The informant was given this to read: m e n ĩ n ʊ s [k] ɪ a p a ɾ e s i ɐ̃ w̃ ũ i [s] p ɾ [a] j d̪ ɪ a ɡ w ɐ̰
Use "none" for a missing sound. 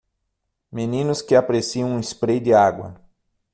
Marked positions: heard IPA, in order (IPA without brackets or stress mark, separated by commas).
k, s, e